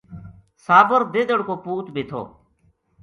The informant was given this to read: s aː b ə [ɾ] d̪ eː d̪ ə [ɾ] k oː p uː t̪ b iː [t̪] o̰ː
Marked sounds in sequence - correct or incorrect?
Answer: correct, incorrect: ɽ, incorrect: t̪ʰ

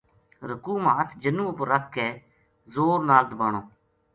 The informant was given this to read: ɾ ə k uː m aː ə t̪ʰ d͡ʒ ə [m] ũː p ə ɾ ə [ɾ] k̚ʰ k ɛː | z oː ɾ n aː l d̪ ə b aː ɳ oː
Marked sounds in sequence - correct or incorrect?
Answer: incorrect: n, incorrect: none

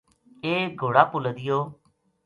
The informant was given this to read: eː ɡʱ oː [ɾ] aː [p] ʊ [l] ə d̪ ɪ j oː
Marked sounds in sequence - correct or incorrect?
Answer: incorrect: ɽ, correct, correct

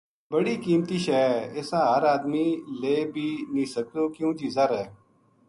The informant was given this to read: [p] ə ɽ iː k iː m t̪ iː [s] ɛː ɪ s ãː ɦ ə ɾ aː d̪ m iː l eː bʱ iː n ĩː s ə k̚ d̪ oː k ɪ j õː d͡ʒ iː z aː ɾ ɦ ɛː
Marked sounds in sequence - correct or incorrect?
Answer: incorrect: b, incorrect: ʃ

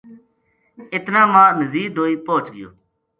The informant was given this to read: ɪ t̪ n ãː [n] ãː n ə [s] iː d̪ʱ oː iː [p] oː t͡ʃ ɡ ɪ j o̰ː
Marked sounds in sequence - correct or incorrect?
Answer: incorrect: m, incorrect: z, correct

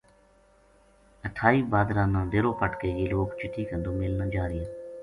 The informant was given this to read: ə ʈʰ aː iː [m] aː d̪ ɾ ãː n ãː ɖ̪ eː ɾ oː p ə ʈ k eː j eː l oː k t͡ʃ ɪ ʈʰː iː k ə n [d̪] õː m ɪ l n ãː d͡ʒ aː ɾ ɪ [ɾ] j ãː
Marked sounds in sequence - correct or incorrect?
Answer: incorrect: b, correct, incorrect: none

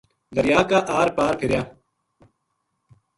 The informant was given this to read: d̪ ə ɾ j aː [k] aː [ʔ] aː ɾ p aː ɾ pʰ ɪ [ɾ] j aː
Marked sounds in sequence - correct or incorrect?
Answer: correct, correct, correct

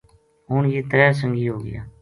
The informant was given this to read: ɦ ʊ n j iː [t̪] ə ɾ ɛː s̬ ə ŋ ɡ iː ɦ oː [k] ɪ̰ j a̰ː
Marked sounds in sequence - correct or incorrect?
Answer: correct, incorrect: ɡ

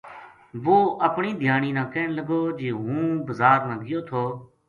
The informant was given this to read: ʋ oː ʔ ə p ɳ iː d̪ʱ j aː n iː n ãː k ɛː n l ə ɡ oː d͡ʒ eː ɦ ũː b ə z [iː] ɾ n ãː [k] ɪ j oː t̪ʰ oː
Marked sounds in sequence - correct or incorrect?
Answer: incorrect: aː, incorrect: ɡ

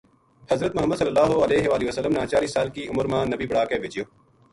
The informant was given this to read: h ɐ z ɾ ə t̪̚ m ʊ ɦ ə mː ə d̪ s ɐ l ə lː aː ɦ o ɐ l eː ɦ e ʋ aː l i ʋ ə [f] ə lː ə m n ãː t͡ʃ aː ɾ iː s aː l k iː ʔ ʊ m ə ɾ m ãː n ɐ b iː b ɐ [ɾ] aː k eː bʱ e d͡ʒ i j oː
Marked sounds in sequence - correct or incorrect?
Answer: incorrect: s, incorrect: ɽ

